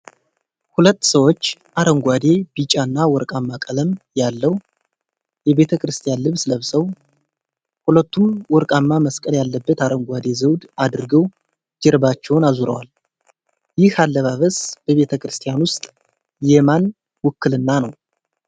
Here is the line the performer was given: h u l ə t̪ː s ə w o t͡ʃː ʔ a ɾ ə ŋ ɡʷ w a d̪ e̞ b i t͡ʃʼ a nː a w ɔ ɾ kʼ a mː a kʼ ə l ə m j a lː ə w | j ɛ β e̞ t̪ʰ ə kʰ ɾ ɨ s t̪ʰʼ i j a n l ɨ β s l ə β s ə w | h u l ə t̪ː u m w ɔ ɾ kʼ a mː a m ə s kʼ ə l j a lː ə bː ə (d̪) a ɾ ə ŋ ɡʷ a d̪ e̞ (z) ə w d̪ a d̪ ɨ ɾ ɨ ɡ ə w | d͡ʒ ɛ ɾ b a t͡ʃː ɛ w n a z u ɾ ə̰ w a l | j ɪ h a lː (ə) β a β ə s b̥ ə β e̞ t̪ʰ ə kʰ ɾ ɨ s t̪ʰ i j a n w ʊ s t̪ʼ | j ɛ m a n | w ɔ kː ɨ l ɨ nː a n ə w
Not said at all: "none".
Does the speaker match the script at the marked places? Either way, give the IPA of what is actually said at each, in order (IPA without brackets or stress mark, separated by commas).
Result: t̪, z, ə